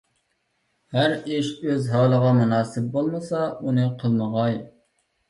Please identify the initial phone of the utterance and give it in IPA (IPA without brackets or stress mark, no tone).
h